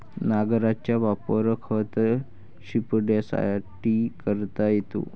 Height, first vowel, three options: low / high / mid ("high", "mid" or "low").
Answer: low